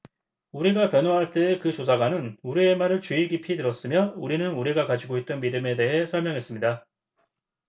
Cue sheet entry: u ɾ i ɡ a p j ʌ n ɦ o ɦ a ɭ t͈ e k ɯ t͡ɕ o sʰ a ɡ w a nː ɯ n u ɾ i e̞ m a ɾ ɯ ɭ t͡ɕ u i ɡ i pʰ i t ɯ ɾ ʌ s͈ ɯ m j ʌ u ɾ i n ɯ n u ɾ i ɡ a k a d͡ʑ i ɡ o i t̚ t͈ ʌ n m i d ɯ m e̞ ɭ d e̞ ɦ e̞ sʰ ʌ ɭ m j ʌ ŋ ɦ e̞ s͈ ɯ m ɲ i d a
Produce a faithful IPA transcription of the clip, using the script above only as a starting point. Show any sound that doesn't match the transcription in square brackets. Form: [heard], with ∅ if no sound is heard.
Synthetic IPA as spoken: u ɾ i ɡ a p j ʌ n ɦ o ɦ a ɭ t͈ e k ɯ t͡ɕ o sʰ a ɡ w a [n] ɯ n u ɾ i e̞ m a ɾ ɯ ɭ t͡ɕ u i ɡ i pʰ i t ɯ ɾ ʌ s͈ ɯ m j ʌ u ɾ i n ɯ n u ɾ i ɡ a k a d͡ʑ i ɡ o i t̚ t͈ ʌ n m i d ɯ m e̞ [∅] d e̞ ɦ e̞ sʰ ʌ ɭ m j ʌ ŋ ɦ e̞ s͈ ɯ m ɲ i d a